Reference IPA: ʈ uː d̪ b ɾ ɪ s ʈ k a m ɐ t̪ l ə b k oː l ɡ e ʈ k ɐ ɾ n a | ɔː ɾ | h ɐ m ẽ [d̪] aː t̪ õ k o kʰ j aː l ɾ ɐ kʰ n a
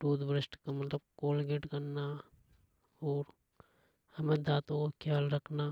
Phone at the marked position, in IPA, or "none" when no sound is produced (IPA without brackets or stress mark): d̪